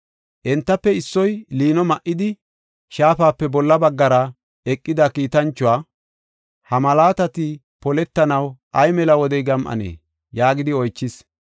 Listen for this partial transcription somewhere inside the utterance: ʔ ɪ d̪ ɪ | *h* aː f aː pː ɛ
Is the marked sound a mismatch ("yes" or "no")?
yes